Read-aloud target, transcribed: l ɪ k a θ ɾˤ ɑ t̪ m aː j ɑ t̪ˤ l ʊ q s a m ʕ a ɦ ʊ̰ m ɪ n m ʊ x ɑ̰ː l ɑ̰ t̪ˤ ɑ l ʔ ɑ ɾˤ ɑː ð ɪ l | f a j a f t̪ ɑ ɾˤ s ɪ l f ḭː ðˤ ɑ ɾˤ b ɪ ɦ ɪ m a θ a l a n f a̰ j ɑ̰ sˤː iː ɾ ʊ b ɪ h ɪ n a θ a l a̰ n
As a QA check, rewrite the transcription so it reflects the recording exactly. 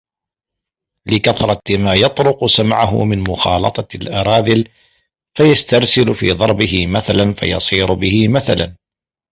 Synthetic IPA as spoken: l ɪ k a θ ɾˤ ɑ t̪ m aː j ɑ t̪ˤ ɾ ʊ q s a m ʕ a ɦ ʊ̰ m ɪ n m ʊ x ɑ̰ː l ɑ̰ t̪ˤ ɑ l ʔ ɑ ɾˤ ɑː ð ɪ l | f a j a s t̪ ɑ ɾˤ s ɪ l f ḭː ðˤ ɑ ɾˤ b ɪ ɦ ɪ m a θ a l a n f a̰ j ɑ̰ sˤ iː ɾ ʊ b ɪ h ɪ m a θ a l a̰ n